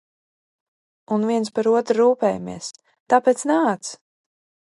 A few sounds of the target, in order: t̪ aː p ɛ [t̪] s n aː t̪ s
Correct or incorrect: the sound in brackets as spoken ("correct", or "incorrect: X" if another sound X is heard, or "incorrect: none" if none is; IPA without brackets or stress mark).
correct